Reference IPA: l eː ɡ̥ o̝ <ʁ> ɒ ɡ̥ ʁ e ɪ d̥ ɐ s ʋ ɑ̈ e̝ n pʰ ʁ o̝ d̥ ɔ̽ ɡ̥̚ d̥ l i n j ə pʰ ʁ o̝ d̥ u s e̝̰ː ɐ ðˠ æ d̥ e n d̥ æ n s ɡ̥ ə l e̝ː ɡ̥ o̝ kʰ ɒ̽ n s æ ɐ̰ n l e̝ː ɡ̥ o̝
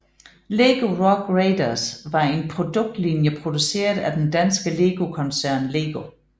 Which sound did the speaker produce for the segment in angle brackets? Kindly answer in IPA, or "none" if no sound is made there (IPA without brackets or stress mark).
ʁ